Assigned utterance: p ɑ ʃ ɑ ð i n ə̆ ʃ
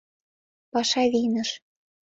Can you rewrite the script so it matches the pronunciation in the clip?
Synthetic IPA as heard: p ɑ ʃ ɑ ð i n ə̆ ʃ

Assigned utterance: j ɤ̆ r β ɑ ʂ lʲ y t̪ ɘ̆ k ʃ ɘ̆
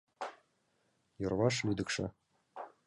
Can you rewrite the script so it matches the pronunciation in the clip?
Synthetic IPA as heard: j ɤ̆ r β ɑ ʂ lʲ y d̪ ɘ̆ k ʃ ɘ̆

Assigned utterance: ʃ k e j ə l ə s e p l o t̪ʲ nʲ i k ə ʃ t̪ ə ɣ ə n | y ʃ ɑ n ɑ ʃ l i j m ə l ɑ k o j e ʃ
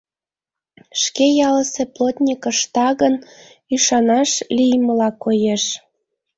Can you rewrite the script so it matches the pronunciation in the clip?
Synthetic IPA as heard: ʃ k e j ɑ l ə s e p l o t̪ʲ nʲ i k ə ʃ t̪ ɑ ɣ ə n | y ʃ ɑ n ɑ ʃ l i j m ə l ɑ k o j e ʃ

